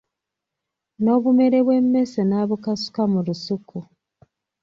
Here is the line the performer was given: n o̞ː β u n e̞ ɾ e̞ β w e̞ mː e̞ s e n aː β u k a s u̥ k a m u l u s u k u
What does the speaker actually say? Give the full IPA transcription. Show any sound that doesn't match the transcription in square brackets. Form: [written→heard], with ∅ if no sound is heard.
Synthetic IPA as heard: n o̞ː β u [n→m] e̞ ɾ e̞ β w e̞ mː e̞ s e n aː β u k a s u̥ k a m u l u s u k u